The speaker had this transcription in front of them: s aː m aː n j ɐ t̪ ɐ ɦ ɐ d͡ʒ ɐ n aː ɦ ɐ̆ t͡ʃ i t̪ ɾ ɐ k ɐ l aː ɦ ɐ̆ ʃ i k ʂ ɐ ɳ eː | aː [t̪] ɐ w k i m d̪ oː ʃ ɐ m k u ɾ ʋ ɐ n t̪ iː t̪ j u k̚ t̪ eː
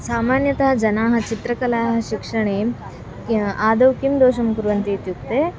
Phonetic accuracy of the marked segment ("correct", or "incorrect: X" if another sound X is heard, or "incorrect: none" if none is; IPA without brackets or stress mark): incorrect: d̪